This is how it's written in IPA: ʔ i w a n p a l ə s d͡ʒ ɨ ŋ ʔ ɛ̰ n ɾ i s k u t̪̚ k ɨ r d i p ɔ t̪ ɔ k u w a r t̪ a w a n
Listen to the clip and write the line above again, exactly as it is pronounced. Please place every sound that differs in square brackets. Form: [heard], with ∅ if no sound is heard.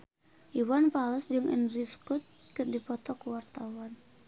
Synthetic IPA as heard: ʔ i w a n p a l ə s d͡ʒ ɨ ŋ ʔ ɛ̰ n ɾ i s k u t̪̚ k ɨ r d i p ɔ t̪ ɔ k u w a r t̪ a w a n